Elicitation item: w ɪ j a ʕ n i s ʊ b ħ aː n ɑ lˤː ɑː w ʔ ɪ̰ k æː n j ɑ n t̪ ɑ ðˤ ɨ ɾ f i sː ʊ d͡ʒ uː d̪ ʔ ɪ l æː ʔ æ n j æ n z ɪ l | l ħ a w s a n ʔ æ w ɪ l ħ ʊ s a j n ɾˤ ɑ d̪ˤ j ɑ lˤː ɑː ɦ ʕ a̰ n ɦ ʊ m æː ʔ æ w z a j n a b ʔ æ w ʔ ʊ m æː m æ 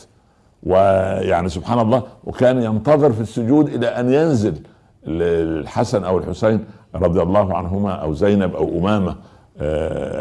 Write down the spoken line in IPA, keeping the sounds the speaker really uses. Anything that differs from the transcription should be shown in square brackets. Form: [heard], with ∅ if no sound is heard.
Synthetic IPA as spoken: w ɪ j a ʕ n i s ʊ b ħ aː n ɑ lˤː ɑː w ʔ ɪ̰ k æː n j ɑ n t̪ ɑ ðˤ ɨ ɾ f i sː ʊ d͡ʒ uː d̪ ʔ ɪ l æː ʔ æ n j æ n z ɪ l | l ħ a [∅] s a n ʔ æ w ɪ l ħ ʊ s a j n ɾˤ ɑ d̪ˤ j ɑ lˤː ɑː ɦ ʕ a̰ n ɦ ʊ m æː ʔ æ w z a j n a b ʔ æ w ʔ ʊ m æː m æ